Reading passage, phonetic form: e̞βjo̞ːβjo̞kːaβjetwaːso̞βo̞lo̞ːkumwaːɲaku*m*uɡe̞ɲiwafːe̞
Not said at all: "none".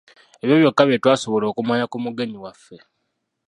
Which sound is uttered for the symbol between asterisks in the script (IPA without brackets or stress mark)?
m